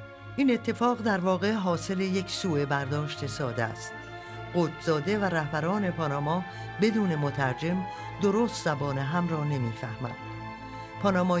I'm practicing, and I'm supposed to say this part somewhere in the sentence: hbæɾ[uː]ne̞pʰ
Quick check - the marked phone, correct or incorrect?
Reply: incorrect